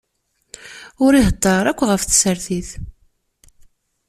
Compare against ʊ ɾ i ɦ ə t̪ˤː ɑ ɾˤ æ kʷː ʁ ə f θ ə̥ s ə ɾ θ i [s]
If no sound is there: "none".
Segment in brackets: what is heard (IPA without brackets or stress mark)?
θ